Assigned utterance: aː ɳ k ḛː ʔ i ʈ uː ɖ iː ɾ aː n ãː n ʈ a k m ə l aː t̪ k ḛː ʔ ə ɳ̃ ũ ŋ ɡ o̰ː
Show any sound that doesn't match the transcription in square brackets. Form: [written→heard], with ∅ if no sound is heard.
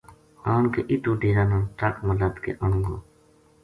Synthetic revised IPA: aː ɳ k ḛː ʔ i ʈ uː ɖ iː ɾ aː n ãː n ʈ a k m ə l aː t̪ k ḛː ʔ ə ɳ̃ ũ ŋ ɡ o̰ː